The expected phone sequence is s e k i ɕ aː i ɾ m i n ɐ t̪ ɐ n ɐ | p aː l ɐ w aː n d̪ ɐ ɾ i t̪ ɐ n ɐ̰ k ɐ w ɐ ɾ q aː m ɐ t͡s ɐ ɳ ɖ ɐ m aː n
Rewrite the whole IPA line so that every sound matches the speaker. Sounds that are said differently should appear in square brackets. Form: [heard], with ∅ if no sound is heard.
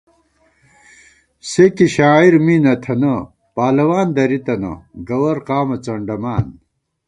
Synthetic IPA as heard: s e k i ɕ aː i ɾ m i n ɐ [t̪ʰ] ɐ n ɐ | p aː l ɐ w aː n d̪ ɐ ɾ i t̪ ɐ n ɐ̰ [ɡ] ɐ w ɐ ɾ q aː m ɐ t͡s ɐ ɳ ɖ ɐ m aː n